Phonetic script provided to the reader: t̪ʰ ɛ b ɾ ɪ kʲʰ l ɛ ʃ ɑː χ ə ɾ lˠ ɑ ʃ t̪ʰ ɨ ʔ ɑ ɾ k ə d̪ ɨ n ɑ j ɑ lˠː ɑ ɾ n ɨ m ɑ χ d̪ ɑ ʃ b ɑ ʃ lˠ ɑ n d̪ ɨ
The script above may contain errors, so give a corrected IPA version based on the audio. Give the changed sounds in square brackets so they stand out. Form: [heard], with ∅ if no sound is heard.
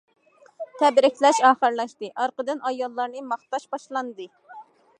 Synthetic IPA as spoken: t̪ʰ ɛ b ɾ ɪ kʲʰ l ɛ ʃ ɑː χ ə ɾ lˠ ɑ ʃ [t̪] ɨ ʔ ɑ ɾ [q] ə d̪ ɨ n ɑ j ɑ lˠː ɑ ɾ n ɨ m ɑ χ [t̪] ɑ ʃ b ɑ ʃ lˠ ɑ n d̪ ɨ